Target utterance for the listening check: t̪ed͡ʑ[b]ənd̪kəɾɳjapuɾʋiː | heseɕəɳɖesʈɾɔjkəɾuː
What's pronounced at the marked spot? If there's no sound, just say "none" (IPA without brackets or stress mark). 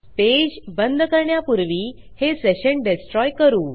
b